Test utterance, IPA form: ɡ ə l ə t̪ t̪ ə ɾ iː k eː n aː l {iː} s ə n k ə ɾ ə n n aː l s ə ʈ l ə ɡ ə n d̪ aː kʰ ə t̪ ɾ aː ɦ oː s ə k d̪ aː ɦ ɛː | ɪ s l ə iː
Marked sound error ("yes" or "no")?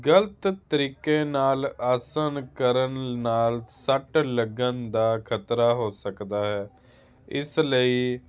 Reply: yes